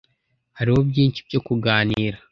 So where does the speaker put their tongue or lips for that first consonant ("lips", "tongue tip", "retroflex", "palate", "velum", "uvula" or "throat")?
throat